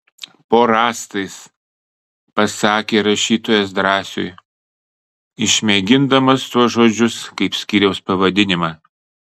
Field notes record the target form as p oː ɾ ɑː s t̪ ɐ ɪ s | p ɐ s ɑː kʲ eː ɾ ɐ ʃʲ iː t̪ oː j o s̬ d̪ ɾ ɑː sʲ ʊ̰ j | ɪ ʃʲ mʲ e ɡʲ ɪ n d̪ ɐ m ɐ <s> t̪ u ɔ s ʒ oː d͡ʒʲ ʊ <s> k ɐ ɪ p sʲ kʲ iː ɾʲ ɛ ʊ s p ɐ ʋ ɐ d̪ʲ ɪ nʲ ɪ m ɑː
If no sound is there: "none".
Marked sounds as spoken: s, s

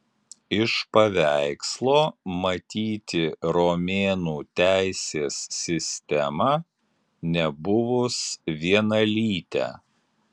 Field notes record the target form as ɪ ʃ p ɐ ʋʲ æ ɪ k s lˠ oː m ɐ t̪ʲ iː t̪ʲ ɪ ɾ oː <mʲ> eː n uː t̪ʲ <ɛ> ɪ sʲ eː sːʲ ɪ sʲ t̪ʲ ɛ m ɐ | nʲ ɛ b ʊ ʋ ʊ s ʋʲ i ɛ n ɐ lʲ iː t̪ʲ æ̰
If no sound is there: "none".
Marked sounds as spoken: mʲ, æ

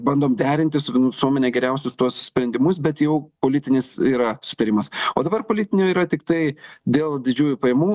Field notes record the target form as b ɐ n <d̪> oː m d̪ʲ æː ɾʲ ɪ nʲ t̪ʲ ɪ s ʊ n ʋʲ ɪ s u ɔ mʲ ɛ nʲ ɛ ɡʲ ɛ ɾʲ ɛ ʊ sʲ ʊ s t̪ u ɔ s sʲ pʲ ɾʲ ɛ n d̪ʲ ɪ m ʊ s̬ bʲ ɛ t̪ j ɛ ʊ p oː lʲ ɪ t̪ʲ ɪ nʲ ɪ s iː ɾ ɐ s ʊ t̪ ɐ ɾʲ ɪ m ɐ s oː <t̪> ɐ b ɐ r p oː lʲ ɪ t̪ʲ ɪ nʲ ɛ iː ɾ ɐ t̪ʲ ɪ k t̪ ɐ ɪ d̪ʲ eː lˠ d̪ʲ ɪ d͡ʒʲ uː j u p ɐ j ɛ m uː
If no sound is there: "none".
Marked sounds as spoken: d̪, d̪

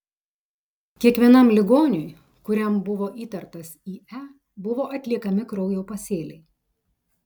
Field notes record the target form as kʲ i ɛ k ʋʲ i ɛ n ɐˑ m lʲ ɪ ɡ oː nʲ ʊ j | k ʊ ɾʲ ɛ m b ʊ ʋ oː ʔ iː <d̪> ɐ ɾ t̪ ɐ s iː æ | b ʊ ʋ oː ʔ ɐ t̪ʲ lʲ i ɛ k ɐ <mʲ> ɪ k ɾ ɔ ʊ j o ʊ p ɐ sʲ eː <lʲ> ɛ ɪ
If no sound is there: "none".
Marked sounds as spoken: t̪, mʲ, lʲ

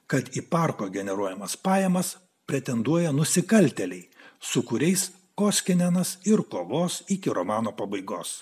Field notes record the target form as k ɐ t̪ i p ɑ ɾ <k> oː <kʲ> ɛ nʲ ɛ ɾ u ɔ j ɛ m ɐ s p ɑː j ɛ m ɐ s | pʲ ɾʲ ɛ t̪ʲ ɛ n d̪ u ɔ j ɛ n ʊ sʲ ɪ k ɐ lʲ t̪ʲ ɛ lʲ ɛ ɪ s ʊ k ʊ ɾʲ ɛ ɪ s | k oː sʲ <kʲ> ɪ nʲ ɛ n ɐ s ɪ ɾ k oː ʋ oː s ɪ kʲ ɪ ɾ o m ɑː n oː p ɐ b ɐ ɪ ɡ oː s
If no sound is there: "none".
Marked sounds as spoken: k, ɡʲ, kʲ

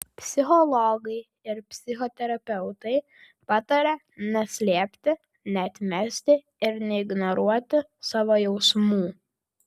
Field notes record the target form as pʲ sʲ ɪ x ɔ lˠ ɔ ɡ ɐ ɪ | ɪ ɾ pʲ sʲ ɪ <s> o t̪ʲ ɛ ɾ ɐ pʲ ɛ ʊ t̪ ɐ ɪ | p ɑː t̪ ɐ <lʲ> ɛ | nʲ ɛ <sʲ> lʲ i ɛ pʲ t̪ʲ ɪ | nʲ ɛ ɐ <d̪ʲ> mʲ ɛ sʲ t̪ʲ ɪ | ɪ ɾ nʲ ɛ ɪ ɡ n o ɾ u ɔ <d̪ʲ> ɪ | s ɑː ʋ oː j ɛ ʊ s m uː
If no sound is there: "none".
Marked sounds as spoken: x, ɾʲ, sʲ, t̪ʲ, t̪ʲ

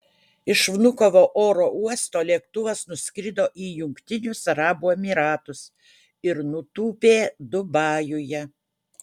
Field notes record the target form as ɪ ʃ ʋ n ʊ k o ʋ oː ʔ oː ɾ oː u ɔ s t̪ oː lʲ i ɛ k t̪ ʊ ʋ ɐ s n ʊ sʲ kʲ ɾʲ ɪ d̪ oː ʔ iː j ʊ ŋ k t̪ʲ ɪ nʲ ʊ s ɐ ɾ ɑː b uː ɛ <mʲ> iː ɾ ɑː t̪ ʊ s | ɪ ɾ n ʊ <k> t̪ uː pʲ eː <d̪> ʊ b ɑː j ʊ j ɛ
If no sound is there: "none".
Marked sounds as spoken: mʲ, none, d̪

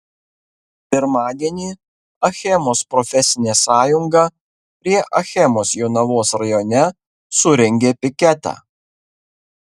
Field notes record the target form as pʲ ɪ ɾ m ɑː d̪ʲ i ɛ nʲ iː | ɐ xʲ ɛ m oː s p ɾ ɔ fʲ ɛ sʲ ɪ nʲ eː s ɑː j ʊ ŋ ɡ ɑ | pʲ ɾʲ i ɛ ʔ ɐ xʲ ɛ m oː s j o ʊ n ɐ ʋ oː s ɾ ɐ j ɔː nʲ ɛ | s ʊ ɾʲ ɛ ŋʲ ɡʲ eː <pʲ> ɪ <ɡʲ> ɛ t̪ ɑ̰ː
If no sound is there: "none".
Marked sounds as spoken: pʲ, kʲ

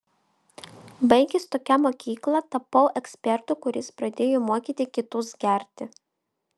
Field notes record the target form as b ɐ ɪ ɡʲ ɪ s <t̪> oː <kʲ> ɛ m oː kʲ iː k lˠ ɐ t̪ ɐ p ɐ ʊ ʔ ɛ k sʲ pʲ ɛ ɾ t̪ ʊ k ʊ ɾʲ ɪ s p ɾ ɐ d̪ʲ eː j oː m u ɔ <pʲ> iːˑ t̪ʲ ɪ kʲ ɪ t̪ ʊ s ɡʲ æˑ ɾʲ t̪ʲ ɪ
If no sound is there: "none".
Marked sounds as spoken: t̪, kʲ, kʲ

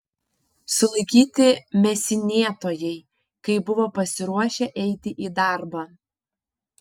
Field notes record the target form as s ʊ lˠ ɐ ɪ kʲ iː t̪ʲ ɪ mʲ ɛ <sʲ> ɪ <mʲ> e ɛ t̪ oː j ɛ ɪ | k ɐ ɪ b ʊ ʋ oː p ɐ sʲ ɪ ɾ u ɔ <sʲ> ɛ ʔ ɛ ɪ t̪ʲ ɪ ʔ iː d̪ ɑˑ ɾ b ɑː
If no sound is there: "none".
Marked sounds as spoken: sʲ, nʲ, ʃʲ

